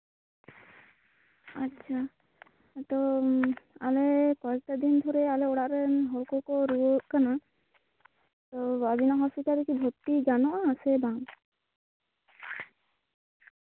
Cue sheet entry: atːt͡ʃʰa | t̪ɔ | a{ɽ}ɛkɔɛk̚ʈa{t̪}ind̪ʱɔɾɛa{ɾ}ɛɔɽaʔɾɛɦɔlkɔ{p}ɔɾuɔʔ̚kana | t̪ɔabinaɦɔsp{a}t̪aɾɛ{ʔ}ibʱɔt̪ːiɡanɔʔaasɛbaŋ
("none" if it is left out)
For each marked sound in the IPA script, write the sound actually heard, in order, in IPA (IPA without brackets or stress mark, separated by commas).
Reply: l, d̪, l, k, i, k